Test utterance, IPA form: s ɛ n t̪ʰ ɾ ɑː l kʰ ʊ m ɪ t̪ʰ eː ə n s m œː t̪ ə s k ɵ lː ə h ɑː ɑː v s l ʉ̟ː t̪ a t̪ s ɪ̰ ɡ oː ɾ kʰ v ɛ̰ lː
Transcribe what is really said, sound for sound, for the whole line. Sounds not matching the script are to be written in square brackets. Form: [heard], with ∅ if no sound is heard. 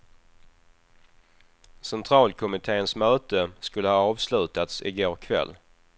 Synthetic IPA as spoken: s ɛ n t̪ʰ ɾ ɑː l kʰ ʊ m ɪ t̪ʰ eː ə n s m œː t̪ ə s k ɵ lː ə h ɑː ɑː v s l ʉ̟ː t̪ a t̪ s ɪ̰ ɡ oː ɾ kʰ v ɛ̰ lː

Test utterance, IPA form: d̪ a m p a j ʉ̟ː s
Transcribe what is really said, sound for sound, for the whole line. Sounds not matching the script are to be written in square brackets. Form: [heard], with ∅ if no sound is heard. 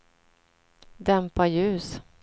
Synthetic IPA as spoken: d̪ [ɛ] m p a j ʉ̟ː s

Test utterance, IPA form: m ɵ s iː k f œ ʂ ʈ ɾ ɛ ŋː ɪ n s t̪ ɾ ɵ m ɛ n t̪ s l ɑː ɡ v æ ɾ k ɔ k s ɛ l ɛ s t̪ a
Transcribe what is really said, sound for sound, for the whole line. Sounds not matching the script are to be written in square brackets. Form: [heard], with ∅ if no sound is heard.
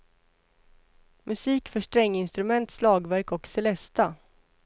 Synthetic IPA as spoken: m ɵ s iː k f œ ʂ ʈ ɾ ɛ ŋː ɪ n s t̪ ɾ ɵ m ɛ n t̪ s l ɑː ɡ v æ ɾ k ɔ k s ɛ l ɛ s t̪ a

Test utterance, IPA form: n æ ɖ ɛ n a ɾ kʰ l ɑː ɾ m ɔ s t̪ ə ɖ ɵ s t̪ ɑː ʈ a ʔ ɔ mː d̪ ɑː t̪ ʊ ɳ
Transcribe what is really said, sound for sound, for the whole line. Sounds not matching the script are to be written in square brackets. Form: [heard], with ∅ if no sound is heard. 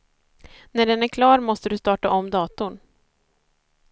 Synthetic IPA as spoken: n æ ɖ ɛ n [æ] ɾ kʰ l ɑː ɾ m ɔ s t̪ ə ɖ ɵ s t̪ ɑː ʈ a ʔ ɔ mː d̪ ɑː t̪ ʊ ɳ

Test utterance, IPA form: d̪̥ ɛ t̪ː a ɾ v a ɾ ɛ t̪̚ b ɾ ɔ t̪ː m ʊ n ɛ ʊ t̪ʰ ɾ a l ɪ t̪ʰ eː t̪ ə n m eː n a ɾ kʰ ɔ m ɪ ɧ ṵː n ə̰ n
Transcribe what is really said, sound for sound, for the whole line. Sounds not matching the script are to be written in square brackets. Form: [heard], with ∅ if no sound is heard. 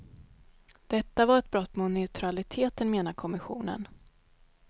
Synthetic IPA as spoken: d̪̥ ɛ t̪ː a [∅] v a ɾ ɛ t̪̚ b ɾ ɔ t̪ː m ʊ n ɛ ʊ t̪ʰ ɾ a l ɪ t̪ʰ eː t̪ ə n m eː n a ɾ kʰ ɔ m ɪ ɧ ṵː n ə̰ n

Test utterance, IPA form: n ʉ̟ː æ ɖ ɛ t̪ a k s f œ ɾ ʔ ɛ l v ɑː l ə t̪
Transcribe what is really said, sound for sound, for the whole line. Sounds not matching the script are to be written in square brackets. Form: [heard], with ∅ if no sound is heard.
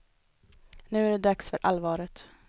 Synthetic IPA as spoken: n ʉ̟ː æ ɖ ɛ [d̪] a k s f œ ɾ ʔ [a] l v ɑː [ɾ] ə t̪

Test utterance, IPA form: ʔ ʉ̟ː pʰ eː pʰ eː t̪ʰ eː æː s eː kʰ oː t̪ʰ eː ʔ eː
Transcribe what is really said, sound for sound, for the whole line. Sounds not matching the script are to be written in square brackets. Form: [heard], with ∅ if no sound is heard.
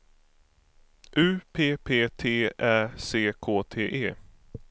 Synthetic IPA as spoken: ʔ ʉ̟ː pʰ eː pʰ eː t̪ʰ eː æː s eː kʰ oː t̪ʰ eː ʔ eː

